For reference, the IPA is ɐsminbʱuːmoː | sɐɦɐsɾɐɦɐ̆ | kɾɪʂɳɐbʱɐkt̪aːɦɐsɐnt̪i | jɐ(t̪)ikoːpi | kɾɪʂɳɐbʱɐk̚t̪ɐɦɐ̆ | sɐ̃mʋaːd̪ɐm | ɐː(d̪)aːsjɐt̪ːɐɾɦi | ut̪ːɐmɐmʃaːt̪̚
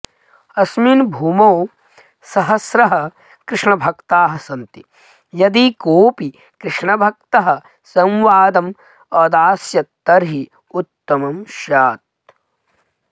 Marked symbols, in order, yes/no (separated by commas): no, yes